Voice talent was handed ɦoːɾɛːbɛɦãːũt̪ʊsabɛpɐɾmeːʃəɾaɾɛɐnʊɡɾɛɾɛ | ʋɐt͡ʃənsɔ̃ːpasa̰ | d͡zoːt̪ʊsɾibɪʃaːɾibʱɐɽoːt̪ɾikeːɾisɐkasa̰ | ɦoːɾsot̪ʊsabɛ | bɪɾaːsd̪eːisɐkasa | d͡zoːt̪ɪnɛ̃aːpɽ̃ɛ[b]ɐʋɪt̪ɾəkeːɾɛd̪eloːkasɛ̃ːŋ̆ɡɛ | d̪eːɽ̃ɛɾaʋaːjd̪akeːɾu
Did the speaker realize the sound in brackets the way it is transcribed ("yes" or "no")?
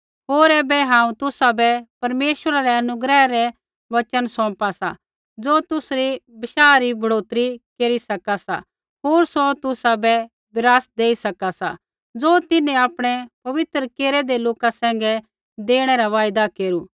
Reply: no